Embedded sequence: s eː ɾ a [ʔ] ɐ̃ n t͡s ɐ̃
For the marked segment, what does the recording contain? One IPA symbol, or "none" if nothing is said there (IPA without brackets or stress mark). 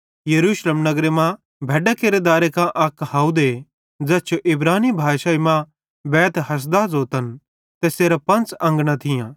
p